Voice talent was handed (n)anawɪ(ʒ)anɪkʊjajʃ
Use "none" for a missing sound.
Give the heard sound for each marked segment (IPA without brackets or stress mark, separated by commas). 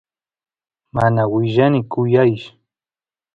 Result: m, ʒ